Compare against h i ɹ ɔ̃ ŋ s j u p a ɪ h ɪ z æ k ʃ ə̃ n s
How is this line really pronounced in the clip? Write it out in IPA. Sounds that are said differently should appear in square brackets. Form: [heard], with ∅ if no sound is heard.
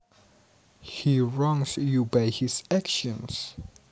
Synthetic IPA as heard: h i ɹ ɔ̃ ŋ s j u [b] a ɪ h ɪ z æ k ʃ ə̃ n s